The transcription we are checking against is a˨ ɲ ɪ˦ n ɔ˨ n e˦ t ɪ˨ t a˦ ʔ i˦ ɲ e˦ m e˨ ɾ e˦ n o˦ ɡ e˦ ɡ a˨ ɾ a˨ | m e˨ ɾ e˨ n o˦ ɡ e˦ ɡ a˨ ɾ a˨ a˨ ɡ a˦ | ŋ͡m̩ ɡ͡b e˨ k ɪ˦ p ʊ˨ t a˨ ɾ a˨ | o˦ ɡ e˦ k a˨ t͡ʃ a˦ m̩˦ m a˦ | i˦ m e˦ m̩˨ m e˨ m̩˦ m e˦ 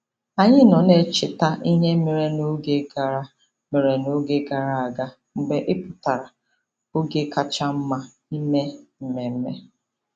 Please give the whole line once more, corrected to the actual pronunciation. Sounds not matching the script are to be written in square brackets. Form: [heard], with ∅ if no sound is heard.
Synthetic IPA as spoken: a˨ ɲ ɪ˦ n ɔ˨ n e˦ [t͡ʃ] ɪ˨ t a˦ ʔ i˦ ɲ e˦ m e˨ ɾ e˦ n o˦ ɡ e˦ ɡ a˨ ɾ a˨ | m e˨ ɾ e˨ n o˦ ɡ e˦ ɡ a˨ ɾ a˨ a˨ ɡ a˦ | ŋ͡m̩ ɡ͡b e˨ [ʔ] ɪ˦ p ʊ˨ t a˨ ɾ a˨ | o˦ ɡ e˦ k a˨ t͡ʃ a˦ m̩˦ m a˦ | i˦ m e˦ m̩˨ m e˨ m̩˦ m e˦